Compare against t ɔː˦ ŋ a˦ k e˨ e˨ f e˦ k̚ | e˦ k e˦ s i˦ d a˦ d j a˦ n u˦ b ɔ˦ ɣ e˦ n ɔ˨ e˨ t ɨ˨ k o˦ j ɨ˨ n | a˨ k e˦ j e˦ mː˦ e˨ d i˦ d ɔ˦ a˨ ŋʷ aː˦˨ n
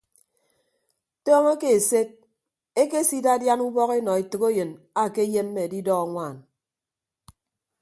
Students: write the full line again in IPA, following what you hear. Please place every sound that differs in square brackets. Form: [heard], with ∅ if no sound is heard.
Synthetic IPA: t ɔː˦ ŋ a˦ k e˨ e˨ [s] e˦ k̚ | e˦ k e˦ s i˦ d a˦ d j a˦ n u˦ b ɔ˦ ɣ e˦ n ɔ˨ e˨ t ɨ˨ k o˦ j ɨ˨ n | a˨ k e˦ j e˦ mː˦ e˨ d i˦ d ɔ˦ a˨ ŋʷ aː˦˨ n